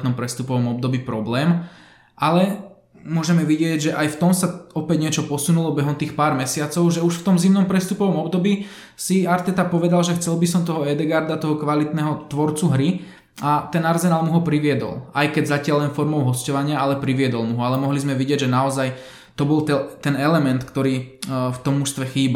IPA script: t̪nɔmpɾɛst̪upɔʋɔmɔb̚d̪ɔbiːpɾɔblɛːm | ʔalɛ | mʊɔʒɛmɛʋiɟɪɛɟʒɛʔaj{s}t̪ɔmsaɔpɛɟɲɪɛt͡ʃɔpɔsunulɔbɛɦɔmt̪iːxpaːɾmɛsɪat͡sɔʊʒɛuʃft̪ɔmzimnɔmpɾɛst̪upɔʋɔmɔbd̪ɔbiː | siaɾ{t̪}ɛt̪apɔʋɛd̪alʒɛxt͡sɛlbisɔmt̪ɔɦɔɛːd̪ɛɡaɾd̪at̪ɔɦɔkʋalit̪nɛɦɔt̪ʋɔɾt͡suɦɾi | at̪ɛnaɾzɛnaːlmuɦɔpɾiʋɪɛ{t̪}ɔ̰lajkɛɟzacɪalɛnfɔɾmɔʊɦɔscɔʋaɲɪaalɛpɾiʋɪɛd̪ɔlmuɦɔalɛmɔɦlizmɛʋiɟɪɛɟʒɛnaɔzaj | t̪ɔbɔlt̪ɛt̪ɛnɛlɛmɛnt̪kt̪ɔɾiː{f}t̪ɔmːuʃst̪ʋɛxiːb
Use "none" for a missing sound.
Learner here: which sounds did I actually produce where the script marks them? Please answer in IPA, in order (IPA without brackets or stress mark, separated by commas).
f, t̪, d̪, f